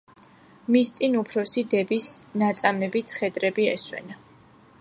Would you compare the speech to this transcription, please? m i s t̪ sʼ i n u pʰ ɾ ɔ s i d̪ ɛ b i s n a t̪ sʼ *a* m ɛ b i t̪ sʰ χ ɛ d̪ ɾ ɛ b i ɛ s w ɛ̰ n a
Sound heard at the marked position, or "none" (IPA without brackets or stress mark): a